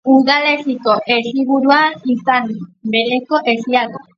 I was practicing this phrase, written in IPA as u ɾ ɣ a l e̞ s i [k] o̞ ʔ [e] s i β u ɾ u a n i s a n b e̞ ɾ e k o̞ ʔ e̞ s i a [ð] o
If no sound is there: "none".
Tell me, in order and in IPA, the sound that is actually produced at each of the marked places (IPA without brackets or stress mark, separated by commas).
k, e, ɣ